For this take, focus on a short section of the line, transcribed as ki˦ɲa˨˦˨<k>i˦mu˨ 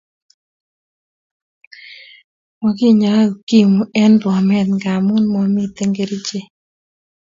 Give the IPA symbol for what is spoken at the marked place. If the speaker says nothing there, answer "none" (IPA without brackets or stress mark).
k